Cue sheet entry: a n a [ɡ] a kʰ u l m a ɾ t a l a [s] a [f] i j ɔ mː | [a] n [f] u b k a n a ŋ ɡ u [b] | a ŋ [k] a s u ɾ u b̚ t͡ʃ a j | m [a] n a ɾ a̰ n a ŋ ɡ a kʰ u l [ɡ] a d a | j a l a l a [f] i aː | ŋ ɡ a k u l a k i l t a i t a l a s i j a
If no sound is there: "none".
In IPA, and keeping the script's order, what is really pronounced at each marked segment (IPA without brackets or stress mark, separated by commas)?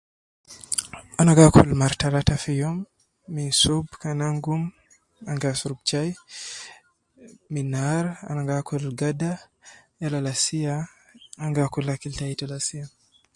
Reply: ɡ, t, f, i, s, m, ɡ, i, ɡ, s